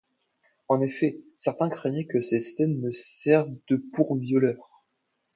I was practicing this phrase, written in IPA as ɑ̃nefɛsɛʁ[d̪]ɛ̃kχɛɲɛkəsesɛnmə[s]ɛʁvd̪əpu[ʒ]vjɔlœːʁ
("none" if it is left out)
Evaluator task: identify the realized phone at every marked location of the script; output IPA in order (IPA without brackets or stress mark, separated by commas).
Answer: t̪, s, ʁ